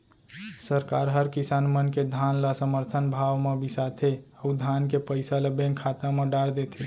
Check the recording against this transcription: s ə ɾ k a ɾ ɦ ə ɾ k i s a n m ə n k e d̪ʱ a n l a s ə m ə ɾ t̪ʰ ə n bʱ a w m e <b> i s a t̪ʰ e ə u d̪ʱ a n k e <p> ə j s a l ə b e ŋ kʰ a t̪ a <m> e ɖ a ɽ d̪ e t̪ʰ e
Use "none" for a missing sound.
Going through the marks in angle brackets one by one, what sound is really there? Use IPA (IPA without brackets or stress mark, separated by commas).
b, p, m